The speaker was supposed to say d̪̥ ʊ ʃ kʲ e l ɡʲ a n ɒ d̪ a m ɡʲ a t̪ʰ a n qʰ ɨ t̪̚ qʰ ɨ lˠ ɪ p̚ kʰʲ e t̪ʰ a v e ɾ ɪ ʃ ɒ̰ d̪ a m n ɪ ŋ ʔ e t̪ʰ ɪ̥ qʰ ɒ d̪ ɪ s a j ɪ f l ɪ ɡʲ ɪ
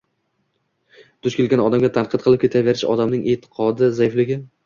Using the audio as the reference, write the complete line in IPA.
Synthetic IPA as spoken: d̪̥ ʊ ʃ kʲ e l ɡʲ a n ɒ d̪ a m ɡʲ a t̪ʰ a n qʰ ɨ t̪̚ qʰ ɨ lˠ ɪ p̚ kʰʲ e t̪ʰ a v e ɾ ɪ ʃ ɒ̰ d̪ a m n ɪ ŋ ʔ e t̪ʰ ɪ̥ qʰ ɒ d̪ ɪ z a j ɪ f l ɪ ɡʲ ɪ